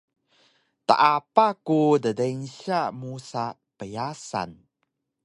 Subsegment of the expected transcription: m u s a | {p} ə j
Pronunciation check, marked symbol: correct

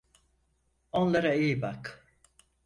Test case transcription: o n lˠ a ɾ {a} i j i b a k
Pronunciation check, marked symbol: correct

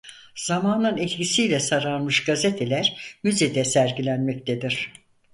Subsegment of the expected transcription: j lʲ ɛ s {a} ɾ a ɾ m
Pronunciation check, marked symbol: correct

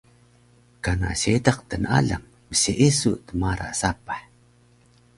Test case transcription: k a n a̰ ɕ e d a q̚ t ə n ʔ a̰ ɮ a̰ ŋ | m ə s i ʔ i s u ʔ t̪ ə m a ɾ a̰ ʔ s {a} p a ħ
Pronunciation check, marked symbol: correct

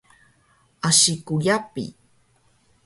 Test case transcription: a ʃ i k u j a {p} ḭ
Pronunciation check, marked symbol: correct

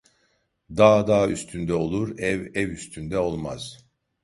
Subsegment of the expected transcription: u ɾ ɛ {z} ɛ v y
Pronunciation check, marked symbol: incorrect: v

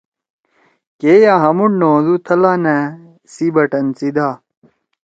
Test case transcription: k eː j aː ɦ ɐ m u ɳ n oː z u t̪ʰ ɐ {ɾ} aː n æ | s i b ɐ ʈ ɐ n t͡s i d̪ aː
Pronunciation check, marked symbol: incorrect: l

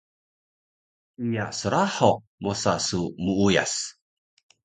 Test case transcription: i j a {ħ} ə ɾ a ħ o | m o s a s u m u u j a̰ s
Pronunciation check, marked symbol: incorrect: s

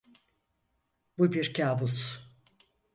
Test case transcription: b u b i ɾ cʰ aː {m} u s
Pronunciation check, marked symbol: incorrect: b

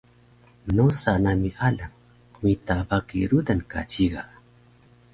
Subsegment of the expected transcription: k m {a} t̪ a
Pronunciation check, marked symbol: incorrect: i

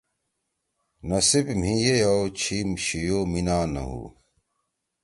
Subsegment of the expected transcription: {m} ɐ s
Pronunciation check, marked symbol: incorrect: n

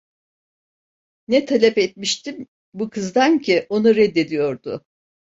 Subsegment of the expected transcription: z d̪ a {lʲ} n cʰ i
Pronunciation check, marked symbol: incorrect: none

